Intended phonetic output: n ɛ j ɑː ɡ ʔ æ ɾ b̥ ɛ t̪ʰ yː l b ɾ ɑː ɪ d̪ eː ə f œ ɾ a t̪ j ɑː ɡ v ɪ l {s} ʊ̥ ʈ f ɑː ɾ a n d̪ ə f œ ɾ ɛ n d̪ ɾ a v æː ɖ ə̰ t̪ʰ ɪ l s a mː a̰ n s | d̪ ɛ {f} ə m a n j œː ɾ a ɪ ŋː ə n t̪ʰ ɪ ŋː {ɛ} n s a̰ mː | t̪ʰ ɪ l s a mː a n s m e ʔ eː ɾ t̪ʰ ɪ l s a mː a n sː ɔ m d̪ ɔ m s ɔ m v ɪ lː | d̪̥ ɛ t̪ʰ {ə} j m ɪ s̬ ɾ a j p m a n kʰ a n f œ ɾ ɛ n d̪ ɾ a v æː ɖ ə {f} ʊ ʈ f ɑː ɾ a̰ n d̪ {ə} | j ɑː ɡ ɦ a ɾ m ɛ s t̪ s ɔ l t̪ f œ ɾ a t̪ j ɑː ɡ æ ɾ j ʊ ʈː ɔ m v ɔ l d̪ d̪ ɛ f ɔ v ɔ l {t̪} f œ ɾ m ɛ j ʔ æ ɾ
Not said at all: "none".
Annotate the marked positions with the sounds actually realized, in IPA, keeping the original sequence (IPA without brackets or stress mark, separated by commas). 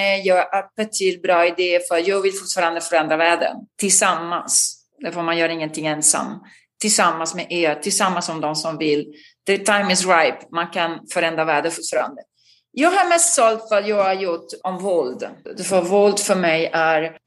f, f, ɛ, a, f, ə, d̪